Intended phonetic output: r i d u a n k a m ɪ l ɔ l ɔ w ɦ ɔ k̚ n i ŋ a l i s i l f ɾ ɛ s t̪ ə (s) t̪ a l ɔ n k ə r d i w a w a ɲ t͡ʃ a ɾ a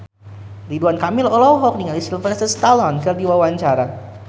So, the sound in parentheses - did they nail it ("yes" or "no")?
yes